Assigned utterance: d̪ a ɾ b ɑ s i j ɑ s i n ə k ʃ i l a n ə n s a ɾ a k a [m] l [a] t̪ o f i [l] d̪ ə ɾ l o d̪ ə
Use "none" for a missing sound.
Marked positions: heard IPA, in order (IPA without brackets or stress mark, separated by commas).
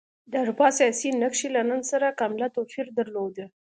m, a, ɾ